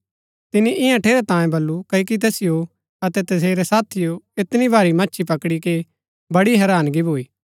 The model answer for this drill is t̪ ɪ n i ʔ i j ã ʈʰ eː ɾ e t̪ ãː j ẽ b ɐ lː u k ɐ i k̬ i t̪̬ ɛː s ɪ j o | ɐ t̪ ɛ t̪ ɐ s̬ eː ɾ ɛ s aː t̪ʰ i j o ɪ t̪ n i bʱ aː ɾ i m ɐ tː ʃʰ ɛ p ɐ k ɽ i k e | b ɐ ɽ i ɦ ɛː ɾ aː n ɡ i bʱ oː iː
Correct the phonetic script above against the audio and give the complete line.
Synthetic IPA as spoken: t̪ ɪ n i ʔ ɪ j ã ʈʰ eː ɾ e t̪ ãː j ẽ b ɐ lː u k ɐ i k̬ i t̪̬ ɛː s ɪ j o | ɐ t̪ ɛ t̪ ɐ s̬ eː ɾ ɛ s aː t̪ʰ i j o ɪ t̪ n i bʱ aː ɾ i m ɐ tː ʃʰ i p ɐ k ɽ i k e | b ɐ ɽ i ɦ ɛː ɾ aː n ɡ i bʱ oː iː